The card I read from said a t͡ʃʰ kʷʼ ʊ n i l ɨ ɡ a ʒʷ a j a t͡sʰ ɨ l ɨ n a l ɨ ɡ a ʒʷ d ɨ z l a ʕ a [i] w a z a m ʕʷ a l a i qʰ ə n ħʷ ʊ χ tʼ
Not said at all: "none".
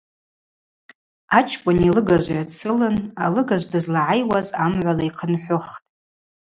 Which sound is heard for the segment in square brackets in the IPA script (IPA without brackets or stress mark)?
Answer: j